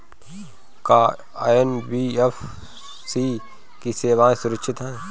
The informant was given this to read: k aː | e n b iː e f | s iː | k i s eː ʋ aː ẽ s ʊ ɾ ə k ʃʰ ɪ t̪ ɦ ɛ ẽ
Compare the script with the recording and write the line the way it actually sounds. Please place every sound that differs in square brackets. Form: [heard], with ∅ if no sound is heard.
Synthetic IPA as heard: k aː | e n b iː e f | s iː | k i s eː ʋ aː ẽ s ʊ ɾ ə k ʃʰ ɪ t̪ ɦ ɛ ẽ